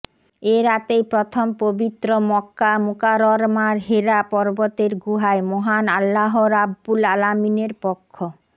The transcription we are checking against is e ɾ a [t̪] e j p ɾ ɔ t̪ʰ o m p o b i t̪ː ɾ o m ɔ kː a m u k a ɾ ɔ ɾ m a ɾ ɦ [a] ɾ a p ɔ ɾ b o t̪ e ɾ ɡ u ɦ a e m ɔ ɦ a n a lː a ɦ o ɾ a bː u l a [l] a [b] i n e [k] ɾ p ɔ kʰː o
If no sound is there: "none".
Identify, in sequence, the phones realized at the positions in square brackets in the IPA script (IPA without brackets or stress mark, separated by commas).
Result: t̪, e, l, m, none